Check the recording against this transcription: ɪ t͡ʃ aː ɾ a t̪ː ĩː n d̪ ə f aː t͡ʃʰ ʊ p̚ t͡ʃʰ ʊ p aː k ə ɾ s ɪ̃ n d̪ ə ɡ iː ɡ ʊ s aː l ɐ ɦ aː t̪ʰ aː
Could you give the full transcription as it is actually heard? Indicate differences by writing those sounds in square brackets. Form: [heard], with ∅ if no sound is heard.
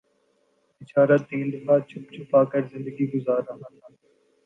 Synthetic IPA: ɪ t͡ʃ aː ɾ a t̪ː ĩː n d̪ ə f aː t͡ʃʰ ʊ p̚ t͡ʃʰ ʊ p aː k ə ɾ [z] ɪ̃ n d̪ ə ɡ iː ɡ ʊ [z] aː [ɾ] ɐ ɦ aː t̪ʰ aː